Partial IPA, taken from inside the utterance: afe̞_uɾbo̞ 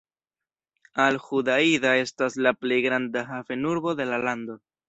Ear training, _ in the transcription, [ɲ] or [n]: n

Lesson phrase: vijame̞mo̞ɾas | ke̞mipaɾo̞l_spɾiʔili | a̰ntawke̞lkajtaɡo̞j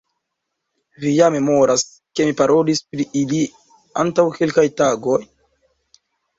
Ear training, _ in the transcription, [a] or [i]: i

